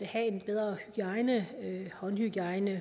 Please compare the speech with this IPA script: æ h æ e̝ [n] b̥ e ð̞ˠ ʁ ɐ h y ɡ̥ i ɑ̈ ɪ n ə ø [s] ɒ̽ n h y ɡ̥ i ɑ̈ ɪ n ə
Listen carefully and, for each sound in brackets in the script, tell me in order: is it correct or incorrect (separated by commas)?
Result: correct, incorrect